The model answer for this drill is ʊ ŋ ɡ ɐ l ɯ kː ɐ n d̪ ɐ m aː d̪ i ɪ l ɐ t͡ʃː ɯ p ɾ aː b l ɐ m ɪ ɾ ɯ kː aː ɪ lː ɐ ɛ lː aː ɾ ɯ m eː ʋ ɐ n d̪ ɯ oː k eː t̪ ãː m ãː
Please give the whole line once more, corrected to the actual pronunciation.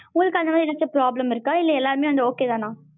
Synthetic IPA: ʊ ŋ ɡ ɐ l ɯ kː ɐ n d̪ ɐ m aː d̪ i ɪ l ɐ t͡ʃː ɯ p ɾ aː b l ɐ m ɪ ɾ ɯ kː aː ɪ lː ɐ ɛ lː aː ɾ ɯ m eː ʋ ɐ n d̪ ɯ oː k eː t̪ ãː n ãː